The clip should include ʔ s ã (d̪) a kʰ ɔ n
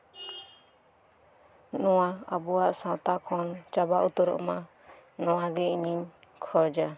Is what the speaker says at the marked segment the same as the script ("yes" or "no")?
no